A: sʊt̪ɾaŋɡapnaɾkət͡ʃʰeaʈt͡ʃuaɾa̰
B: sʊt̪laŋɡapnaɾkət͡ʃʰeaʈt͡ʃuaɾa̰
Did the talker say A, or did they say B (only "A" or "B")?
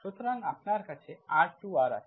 A